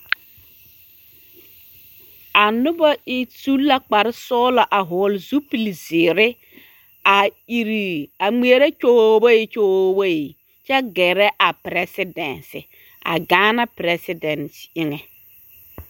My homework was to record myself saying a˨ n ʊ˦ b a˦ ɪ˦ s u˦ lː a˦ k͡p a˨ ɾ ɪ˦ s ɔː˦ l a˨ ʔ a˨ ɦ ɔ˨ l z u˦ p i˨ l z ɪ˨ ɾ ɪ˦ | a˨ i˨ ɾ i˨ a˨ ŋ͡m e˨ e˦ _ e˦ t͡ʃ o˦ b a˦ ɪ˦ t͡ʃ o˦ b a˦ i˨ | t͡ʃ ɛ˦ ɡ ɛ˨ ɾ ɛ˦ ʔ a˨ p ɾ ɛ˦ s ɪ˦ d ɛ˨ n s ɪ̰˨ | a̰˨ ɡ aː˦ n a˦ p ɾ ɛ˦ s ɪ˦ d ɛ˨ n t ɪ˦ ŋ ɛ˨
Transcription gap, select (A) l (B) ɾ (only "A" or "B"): B